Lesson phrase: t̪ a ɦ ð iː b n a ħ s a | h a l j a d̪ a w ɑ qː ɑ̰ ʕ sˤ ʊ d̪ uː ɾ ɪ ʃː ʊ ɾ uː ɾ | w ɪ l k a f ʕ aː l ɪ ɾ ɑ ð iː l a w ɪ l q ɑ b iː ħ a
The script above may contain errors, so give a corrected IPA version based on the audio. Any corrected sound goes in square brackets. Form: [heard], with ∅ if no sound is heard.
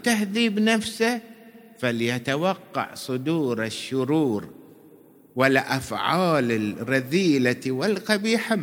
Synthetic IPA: t̪ a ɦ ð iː b n a [f] s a | [f] a l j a [t̪] a w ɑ qː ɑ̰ ʕ sˤ ʊ d̪ uː ɾ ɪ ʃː ʊ ɾ uː ɾ | w ɪ l [ʔ] a f ʕ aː l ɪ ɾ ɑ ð iː l a w ɪ l q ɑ b iː ħ a